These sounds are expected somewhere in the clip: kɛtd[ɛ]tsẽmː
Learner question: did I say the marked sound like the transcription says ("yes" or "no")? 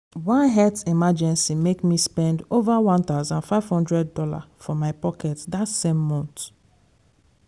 no